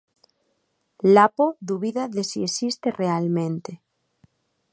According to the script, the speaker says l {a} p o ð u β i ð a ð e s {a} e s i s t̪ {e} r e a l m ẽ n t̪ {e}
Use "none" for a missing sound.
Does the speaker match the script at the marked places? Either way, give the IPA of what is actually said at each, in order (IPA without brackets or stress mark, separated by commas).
a, i, e, e